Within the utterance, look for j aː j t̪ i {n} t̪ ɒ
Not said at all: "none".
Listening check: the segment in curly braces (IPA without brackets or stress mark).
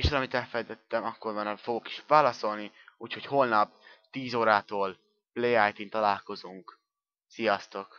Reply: n